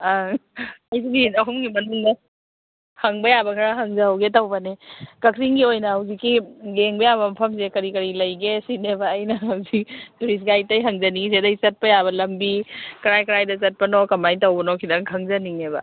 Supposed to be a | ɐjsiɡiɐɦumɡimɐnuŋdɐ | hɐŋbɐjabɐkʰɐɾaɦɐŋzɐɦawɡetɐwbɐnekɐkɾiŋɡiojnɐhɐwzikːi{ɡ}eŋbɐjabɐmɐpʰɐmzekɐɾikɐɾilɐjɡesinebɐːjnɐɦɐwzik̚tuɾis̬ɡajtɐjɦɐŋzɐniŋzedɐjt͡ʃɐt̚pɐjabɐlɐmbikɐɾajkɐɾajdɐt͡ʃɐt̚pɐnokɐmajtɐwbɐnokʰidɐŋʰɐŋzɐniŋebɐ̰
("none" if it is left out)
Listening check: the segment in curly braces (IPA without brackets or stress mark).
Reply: ɡ